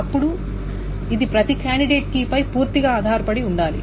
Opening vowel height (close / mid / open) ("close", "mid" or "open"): open